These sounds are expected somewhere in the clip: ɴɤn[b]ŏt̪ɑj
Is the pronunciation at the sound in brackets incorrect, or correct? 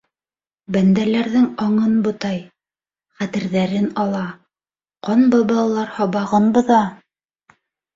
correct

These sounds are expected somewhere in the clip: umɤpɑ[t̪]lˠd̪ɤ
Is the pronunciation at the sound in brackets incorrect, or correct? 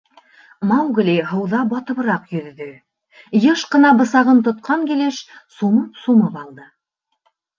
incorrect: none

